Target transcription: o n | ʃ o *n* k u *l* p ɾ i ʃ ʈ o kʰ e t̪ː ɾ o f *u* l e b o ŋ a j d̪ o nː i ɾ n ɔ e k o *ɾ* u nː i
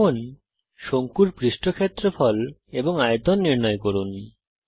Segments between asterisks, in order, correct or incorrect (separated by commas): incorrect, incorrect, incorrect, correct